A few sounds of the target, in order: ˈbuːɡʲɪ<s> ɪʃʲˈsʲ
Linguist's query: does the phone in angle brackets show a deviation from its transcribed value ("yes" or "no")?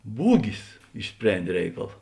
no